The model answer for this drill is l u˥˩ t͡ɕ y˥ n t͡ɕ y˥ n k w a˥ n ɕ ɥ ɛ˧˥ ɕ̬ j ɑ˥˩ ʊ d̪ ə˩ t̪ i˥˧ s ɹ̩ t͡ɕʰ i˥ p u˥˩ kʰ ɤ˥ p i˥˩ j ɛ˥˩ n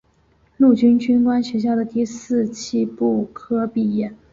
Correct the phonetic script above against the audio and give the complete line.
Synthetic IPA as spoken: l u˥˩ t͡ɕ y˥ n t͡ɕ y˥ n k w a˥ n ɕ ɥ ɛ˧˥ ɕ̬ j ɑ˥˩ ʊ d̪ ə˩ t̪ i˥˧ s ɹ̩ t͡ɕʰ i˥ p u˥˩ kʰ ɤ˥ p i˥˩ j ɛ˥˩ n